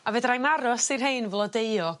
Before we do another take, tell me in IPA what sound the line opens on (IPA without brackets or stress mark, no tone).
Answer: a